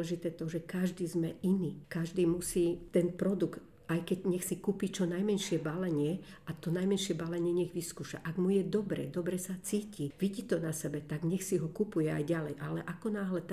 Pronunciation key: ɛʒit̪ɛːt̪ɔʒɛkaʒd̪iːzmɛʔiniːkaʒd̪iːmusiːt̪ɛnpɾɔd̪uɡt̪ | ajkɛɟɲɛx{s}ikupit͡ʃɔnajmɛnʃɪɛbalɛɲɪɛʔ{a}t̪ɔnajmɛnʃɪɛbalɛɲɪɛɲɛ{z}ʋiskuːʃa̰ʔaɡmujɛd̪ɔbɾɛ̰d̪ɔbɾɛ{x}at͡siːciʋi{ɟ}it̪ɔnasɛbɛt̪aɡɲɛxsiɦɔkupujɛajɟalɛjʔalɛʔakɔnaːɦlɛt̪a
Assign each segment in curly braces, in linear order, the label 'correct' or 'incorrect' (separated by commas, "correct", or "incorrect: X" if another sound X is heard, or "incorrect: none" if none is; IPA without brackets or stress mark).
correct, correct, incorrect: ɣ, incorrect: s, correct